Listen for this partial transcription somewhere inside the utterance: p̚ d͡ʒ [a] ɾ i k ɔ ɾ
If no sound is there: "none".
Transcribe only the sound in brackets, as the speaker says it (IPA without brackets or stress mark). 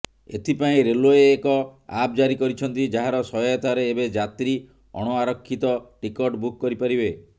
a